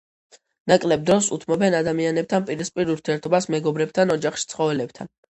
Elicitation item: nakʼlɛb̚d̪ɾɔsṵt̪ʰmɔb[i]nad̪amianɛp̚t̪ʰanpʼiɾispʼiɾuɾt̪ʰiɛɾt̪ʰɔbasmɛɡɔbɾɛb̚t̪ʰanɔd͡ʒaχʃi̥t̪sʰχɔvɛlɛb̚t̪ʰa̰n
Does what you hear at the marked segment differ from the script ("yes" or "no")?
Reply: yes